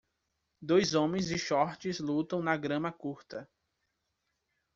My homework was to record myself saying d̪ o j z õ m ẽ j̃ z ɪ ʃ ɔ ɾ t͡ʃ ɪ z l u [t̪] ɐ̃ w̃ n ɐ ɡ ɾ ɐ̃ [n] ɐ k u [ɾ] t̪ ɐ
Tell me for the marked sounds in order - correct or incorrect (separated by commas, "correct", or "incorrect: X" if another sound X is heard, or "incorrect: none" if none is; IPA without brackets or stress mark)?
correct, incorrect: m, correct